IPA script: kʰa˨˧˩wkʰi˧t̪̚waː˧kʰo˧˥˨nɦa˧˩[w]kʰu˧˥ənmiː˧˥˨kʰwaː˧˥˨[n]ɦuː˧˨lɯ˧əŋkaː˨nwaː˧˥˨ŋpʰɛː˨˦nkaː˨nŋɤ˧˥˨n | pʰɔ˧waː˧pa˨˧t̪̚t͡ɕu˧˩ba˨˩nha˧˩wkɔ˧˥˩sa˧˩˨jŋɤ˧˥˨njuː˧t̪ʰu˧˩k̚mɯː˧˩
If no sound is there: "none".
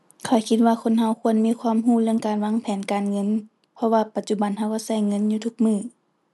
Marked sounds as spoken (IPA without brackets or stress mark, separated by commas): w, m